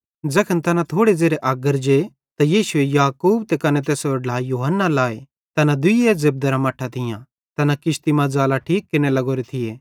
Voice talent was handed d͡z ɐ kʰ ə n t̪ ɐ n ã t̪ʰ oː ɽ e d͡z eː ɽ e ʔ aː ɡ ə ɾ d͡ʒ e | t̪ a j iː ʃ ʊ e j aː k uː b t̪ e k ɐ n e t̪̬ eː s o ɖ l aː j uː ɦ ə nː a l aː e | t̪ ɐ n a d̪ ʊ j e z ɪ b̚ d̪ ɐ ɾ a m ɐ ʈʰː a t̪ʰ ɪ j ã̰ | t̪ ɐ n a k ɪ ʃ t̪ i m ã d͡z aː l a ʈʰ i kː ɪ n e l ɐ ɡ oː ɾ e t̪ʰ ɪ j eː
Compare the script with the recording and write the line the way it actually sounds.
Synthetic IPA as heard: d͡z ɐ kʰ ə n t̪ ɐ n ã t̪ʰ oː ɽ e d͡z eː ɾ e ʔ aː ɡ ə ɾ d͡ʒ e | t̪ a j iː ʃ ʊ e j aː k uː b t̪ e k ɐ n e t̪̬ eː s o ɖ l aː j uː ɦ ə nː a l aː e | t̪ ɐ n a d̪ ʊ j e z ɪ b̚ d̪ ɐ ɾ a m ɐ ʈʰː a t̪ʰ ɪ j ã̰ | t̪ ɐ n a k ɪ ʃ t̪ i m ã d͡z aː l a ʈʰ iː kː ɪ n e l ɐ ɡ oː ɾ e t̪ʰ ɪ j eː